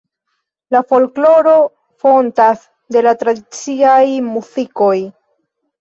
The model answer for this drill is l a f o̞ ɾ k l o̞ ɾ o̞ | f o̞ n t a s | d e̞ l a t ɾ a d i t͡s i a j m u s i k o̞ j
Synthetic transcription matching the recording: l a f o̞ l k l o̞ ɾ o̞ | f o̞ n t a s | d e̞ l a t ɾ a d i t͡s i a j m u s i k o̞ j